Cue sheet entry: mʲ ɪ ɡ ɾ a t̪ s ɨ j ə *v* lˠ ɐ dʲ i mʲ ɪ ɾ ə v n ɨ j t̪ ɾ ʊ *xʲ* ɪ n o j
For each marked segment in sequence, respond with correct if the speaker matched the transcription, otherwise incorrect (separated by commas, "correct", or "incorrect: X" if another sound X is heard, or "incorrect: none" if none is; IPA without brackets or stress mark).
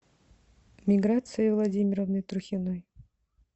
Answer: correct, correct